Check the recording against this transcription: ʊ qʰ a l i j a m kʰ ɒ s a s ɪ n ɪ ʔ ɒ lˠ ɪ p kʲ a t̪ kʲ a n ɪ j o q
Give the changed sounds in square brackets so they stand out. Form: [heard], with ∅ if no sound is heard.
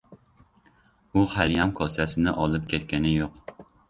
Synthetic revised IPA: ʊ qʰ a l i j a m kʰ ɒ s a s ɪ n ɪ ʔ ɒ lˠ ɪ p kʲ [e] t̪ kʲ a n ɪ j o q